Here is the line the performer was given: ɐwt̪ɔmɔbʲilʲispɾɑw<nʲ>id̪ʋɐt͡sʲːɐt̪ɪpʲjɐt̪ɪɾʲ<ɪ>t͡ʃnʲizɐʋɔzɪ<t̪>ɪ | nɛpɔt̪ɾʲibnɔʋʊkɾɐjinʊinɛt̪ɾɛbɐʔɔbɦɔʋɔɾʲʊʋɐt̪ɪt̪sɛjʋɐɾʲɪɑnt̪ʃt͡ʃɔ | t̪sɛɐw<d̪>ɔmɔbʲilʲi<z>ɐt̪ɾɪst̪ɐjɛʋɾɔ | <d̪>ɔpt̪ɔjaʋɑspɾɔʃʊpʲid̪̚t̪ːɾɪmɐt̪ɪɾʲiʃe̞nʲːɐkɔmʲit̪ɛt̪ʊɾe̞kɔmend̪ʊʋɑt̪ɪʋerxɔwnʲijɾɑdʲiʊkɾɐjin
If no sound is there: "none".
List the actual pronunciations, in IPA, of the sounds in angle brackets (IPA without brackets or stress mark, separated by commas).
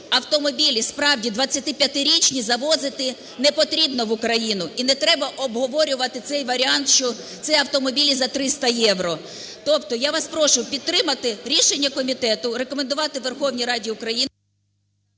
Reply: dʲ, i, t̪, t̪, z, t̪